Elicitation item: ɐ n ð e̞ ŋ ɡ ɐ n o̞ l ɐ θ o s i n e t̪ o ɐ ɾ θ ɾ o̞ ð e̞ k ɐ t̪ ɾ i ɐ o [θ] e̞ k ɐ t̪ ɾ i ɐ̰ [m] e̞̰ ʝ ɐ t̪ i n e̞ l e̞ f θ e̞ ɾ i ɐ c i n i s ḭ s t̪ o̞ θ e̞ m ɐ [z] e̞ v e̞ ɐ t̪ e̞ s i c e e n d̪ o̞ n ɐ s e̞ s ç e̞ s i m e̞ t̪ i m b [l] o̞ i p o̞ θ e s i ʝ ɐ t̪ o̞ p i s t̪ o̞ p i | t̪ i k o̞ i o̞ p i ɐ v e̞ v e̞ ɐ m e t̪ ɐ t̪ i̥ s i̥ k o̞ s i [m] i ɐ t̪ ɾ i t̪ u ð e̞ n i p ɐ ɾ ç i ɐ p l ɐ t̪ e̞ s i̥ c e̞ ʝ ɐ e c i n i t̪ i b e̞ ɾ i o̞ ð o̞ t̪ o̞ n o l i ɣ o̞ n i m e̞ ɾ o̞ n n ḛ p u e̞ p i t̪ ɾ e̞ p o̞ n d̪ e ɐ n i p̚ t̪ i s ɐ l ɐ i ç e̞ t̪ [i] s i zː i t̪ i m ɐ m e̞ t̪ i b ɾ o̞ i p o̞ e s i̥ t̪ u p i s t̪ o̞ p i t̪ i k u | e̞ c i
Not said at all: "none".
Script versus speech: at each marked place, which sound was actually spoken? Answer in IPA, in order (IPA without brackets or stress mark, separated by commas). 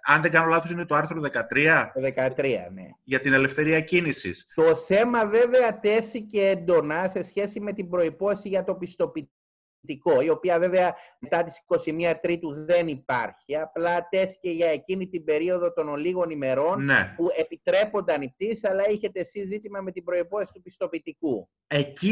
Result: ð, n, v, ɾ, m, e